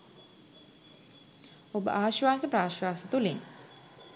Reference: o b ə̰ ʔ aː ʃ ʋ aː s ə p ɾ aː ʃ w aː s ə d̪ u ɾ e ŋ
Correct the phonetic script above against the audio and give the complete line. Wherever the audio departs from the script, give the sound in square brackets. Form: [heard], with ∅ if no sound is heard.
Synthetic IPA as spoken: o b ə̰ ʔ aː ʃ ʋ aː s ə p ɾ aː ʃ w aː s ə [t̪] u [l] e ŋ